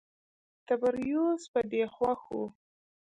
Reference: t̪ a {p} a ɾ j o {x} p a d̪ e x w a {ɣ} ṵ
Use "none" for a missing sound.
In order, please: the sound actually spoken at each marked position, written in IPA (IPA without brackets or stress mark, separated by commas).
b, s, x